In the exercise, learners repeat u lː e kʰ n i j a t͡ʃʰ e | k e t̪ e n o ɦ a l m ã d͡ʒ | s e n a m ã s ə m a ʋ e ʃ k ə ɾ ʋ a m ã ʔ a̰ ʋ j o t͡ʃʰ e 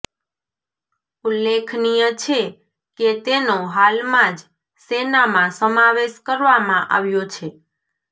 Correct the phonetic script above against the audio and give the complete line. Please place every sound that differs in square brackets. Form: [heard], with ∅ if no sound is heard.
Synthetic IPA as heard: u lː e kʰ n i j [ə] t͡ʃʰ e | k e t̪ e n o ɦ a l m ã d͡ʒ | s e n a m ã s ə m a ʋ e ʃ k ə ɾ ʋ a m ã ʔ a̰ ʋ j o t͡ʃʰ e